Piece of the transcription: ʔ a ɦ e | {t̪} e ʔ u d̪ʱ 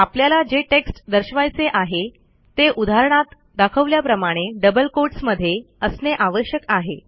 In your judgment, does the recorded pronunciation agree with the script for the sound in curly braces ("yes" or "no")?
yes